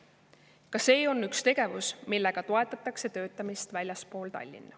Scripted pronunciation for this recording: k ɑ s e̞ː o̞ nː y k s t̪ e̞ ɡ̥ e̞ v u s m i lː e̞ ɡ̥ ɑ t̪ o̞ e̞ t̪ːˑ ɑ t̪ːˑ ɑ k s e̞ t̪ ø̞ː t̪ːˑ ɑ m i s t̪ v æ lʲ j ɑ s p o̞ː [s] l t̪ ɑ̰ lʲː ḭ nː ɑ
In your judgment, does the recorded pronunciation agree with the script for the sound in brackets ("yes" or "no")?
no